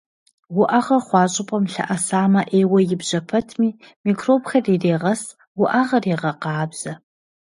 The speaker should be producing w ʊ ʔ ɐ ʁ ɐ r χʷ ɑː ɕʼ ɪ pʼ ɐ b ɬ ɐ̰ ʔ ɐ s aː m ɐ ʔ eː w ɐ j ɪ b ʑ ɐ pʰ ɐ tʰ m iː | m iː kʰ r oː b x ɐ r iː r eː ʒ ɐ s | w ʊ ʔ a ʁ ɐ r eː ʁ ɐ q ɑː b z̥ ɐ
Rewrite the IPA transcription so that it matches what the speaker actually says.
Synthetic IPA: w ʊ ʔ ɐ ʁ ɐ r χʷ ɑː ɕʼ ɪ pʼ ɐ m ɬ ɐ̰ ʔ ɐ s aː m ɐ ʔ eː w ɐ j ɪ b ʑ ɐ pʰ ɐ tʰ m iː | m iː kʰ r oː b x ɐ r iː r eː ʁ ɐ s | w ʊ ʔ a ʁ ɐ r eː ʁ ɐ q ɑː b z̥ ɐ